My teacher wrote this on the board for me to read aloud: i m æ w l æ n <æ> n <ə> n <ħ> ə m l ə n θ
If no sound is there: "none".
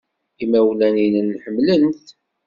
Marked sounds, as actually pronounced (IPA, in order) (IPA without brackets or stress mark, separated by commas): i, ə, ħ